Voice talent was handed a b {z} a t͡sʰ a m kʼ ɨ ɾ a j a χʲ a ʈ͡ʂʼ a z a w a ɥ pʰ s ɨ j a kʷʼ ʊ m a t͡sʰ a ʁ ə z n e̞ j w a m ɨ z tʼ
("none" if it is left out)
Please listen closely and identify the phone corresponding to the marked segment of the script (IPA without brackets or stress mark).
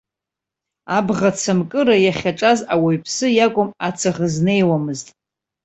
ʁ